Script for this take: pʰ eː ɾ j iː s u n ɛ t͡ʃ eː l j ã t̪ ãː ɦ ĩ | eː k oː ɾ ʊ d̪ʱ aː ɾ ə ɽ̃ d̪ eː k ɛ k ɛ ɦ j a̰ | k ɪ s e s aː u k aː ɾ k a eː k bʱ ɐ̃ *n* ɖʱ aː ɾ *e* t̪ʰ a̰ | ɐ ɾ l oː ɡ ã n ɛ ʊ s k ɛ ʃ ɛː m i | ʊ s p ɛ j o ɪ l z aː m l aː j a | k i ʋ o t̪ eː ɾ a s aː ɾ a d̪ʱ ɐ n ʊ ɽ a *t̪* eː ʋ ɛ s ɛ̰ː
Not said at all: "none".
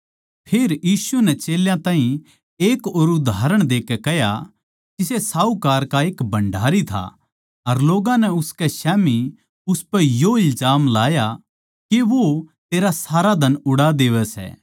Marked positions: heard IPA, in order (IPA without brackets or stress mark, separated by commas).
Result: ɳ, i, d̪